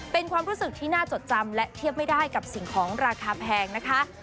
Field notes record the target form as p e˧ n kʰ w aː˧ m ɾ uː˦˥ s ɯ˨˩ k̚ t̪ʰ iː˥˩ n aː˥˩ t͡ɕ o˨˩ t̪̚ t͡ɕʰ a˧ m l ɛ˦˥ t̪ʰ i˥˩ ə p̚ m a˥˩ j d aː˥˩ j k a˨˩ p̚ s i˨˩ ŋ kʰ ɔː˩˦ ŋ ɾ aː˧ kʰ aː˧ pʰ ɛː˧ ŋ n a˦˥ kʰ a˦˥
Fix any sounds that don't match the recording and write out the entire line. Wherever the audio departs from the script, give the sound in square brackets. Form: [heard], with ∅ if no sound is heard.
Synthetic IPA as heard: p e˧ n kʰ w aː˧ m ɾ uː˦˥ s ɯ˨˩ k̚ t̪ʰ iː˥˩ n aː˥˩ t͡ɕ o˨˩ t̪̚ [t͡ɕ] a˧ m l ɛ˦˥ t̪ʰ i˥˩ ə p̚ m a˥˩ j d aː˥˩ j k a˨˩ p̚ s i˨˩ ŋ kʰ ɔː˩˦ ŋ ɾ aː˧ kʰ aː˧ pʰ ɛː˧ ŋ n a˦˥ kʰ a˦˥